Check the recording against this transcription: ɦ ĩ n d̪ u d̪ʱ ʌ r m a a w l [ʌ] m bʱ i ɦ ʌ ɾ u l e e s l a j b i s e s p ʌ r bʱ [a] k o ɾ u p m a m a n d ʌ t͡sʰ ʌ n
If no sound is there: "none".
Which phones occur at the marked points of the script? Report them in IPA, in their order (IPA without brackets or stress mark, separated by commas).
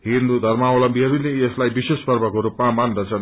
ʌ, ʌ